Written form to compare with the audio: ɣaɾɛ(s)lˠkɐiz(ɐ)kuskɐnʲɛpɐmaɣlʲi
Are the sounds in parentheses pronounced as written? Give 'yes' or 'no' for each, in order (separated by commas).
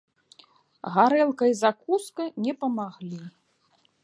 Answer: no, no